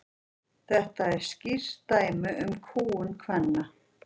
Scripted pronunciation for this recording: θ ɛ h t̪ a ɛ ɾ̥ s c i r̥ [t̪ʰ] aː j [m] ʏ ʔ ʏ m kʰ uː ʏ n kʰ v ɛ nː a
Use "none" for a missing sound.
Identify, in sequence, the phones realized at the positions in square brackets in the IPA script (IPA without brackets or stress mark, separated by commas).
t̪, m